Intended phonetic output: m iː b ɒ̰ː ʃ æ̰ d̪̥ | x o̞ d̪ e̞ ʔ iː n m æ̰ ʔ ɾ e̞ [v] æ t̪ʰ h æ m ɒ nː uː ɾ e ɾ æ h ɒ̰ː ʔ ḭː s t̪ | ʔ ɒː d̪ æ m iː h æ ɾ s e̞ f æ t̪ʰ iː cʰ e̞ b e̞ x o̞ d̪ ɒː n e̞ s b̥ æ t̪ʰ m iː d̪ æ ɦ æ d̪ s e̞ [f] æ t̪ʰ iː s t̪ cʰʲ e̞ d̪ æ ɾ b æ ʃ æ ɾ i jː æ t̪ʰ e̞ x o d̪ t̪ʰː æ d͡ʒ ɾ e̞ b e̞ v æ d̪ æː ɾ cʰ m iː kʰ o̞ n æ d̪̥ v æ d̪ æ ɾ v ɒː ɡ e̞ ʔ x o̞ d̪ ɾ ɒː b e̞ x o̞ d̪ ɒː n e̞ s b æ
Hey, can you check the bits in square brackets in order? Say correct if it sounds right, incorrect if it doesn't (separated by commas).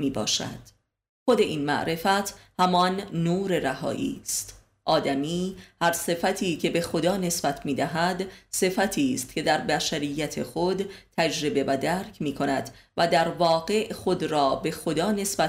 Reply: incorrect, correct